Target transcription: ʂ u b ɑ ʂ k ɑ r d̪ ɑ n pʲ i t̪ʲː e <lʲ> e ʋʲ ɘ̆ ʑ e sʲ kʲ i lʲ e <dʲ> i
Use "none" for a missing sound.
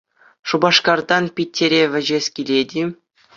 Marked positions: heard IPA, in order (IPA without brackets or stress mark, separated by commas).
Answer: ɾʲ, dʲ